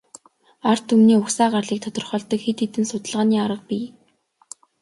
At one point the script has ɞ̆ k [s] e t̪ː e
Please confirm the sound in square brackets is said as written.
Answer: no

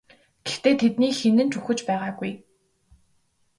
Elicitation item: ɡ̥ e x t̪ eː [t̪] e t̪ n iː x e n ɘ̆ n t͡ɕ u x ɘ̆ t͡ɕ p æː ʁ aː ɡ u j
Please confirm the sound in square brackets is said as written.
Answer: no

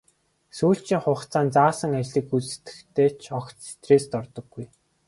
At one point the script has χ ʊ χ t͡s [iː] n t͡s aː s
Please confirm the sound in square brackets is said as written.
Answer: no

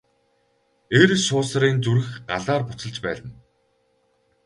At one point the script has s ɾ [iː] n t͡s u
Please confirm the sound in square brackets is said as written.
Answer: yes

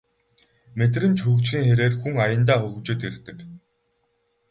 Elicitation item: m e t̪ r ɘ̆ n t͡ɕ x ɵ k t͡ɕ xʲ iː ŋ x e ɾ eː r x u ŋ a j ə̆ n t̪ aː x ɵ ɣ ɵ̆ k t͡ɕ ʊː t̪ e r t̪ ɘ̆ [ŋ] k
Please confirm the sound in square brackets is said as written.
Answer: no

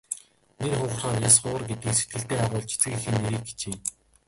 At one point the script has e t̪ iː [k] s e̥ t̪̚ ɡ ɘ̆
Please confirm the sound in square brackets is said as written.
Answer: yes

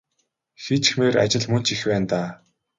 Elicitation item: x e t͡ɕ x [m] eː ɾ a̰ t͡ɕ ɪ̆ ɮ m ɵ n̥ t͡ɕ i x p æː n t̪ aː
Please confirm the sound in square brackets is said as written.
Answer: yes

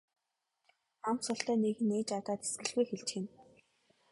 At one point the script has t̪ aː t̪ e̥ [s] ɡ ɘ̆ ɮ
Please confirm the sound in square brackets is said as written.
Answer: yes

